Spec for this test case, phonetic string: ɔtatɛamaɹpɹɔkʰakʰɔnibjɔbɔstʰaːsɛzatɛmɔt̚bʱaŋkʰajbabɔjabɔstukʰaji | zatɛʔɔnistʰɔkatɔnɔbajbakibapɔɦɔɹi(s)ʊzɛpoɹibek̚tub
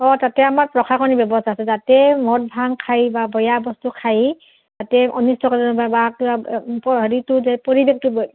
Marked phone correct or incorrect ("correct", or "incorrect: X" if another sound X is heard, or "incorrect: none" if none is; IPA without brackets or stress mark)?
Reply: incorrect: t